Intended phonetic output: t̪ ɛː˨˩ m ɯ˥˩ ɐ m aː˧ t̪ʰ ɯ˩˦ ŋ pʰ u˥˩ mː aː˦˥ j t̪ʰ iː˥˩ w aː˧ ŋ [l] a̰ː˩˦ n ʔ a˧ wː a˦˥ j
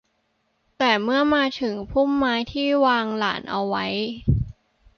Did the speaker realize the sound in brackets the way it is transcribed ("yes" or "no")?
yes